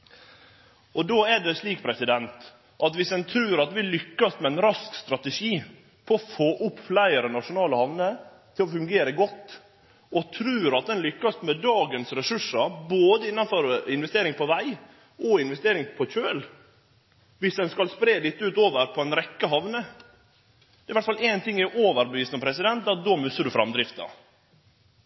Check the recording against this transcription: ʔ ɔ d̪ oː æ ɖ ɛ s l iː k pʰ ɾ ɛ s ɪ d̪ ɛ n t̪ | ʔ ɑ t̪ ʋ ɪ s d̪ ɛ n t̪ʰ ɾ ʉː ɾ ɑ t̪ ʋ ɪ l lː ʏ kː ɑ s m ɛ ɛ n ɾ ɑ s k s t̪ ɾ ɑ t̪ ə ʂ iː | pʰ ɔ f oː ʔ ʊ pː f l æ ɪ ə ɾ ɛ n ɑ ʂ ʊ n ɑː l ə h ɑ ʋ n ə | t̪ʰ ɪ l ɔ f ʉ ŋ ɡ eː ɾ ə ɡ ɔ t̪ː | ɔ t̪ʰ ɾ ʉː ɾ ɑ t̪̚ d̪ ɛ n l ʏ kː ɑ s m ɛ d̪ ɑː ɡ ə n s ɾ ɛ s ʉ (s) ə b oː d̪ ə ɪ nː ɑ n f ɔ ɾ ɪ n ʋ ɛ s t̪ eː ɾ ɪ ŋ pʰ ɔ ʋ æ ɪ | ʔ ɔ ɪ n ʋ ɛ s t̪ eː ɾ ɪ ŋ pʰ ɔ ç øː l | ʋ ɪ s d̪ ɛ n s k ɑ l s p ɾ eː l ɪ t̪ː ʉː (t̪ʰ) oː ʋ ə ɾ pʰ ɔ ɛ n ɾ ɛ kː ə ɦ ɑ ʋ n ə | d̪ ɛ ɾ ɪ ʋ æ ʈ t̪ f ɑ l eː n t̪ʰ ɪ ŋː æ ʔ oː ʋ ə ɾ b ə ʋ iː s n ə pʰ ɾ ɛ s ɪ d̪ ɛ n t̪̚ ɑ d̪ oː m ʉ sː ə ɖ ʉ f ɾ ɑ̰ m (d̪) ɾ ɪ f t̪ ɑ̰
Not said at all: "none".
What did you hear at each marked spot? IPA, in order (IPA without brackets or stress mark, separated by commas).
ʂ, t̪, d̪